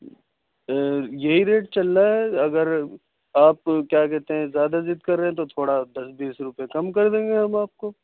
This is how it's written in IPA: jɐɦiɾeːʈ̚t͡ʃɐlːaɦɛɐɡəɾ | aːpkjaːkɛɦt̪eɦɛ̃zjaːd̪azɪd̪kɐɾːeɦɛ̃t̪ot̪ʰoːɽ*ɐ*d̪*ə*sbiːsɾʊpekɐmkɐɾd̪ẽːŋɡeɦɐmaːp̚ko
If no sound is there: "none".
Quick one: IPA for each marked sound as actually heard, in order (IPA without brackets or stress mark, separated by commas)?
a, ɐ